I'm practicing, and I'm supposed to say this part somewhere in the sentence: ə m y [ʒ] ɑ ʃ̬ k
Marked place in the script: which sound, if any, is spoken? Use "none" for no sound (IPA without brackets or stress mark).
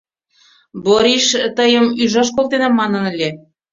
ʒ